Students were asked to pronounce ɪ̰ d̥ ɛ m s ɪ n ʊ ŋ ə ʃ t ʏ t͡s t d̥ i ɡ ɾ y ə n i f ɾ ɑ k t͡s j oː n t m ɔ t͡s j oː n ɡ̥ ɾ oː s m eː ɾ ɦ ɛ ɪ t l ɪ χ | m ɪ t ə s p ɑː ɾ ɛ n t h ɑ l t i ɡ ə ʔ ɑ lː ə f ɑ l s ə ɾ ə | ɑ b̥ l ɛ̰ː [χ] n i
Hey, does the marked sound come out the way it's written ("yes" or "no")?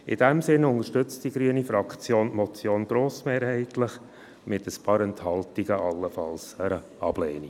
no